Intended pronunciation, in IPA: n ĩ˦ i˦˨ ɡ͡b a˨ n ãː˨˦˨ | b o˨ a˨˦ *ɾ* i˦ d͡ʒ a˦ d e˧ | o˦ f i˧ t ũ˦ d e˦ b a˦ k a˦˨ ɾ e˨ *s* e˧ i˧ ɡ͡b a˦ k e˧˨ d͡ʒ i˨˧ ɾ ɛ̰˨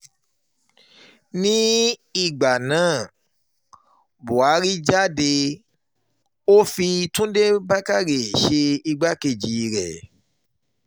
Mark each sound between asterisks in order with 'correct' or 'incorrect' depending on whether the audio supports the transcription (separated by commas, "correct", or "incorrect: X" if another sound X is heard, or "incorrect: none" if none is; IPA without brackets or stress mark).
correct, incorrect: ʃ